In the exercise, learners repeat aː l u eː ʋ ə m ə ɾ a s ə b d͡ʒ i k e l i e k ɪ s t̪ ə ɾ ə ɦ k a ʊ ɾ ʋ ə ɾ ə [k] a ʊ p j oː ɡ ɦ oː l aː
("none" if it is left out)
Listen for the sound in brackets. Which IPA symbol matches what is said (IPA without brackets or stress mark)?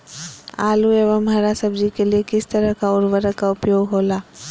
k